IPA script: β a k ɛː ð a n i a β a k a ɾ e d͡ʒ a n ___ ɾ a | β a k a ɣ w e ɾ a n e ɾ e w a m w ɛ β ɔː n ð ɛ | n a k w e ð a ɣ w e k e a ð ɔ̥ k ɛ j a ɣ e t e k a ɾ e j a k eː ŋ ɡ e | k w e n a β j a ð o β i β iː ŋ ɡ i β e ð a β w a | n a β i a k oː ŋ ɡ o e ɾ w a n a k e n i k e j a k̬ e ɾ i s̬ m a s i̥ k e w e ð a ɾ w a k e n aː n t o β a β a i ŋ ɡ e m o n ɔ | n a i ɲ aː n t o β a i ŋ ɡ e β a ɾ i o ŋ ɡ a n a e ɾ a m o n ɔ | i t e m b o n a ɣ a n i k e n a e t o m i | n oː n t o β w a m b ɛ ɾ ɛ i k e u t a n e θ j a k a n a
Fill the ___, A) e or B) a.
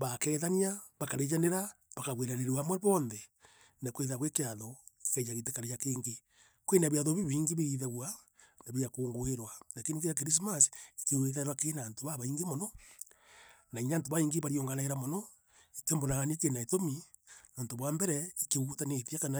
A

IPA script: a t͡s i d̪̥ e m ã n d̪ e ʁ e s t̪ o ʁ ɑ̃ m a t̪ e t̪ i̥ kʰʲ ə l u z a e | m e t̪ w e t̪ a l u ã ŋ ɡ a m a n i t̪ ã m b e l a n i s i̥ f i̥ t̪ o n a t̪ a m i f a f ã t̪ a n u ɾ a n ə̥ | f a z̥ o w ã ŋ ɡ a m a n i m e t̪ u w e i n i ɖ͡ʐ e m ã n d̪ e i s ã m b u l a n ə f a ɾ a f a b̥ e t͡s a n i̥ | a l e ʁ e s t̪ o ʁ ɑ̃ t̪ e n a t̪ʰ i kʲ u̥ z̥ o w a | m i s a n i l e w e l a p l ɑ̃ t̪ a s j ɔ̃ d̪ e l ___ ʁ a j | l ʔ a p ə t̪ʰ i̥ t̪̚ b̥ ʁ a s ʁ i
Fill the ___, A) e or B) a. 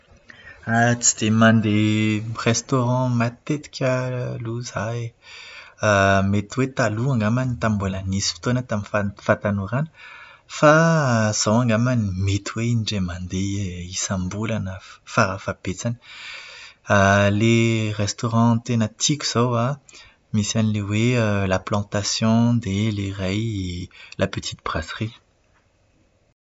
A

